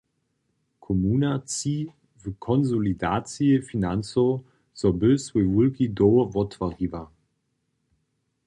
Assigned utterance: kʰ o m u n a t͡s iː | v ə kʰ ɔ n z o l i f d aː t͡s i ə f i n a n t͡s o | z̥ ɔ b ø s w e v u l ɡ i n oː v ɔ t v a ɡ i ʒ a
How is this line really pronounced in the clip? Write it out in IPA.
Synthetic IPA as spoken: kʰ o m u n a t͡s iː | v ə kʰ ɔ n z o l i d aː t͡s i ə f i n a n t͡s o | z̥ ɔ b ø s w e v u l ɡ i d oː v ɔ t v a ɡ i v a